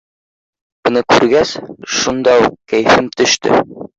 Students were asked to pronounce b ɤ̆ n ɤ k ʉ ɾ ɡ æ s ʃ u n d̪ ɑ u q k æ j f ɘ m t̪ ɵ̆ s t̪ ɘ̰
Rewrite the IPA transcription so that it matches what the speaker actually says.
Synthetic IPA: b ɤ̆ n ɤ k ʉ ɾ ɡ æ s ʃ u n d̪ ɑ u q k æ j f ɘ m t̪ ɵ̆ ʃ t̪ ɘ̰